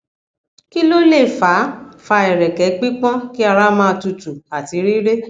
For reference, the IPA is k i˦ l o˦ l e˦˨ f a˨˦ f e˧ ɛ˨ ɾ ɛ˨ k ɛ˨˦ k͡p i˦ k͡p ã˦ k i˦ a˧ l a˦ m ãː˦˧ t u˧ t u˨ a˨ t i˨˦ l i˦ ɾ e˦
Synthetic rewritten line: k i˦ l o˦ l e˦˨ f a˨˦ f a˧ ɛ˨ ɾ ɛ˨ k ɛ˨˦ k͡p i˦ k͡p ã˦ k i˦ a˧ ɾ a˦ m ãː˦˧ t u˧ t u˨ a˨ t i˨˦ ɾ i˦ ɾ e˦